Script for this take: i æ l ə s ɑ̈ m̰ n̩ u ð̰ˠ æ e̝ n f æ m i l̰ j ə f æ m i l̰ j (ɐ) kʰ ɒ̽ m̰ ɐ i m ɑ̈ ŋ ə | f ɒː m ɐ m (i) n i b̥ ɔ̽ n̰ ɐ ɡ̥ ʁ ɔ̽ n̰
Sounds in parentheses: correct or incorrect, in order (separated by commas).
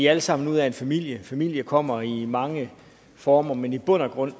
incorrect, incorrect